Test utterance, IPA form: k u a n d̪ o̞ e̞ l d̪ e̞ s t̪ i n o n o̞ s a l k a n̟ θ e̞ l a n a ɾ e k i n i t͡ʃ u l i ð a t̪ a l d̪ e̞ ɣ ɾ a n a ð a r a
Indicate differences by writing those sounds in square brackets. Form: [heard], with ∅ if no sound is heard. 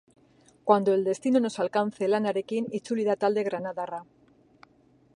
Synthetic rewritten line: k [w] a n d̪ o̞ e̞ l d̪ e̞ s t̪ i n o n o̞ s a l k a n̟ θ e̞ l a n a ɾ e k i n i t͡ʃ u l i ð a t̪ a l d̪ e̞ ɣ ɾ a n a ð a r a